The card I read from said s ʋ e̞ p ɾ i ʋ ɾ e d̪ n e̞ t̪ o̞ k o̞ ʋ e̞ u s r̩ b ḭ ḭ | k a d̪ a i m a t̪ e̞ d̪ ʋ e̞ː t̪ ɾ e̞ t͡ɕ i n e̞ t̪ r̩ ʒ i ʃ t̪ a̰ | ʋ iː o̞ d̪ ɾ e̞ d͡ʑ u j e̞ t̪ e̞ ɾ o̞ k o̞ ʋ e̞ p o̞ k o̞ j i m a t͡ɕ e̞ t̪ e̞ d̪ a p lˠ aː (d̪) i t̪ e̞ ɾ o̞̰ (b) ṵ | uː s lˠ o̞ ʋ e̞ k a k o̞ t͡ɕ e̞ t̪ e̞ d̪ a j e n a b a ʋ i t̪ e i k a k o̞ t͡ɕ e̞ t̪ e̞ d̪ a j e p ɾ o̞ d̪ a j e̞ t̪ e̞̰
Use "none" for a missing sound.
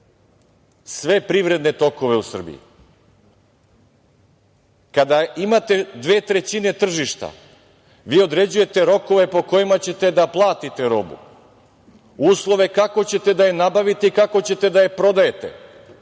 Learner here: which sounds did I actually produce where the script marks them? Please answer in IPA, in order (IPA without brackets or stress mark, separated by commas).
t̪, b